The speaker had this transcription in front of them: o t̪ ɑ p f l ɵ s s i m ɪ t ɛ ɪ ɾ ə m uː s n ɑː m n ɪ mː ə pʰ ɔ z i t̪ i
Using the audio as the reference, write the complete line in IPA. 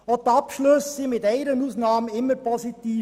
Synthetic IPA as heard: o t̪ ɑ p ʃ l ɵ s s i m ɪ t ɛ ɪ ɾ ə n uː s n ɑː m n ɪ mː ə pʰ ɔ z i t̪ iː